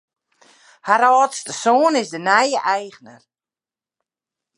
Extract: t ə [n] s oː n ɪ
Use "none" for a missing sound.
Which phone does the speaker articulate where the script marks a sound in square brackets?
none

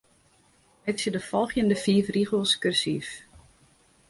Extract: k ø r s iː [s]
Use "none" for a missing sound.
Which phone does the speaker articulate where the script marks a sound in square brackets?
f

